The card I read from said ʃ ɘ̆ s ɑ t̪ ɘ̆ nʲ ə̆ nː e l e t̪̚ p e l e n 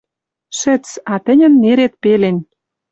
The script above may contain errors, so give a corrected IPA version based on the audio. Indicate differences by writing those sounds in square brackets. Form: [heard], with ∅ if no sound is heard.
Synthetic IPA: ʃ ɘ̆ [t͡s] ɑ t̪ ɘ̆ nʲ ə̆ nː e [ɾ] e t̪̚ p e l e n